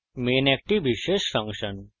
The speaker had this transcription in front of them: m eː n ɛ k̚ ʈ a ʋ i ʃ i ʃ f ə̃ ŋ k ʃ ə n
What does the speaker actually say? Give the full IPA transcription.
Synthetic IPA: m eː n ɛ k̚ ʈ i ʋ i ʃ e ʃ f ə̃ ŋ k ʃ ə n